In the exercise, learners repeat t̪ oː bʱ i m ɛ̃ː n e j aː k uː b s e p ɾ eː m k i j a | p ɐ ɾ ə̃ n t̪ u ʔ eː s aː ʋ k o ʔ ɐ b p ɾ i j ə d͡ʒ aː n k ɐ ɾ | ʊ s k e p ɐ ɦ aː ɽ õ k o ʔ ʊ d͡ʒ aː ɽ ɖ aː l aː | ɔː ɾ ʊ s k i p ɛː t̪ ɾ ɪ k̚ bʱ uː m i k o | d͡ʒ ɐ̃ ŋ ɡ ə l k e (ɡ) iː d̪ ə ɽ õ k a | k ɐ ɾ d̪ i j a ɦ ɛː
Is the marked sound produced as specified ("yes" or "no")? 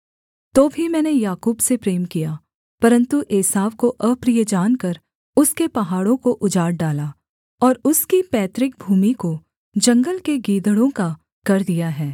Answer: yes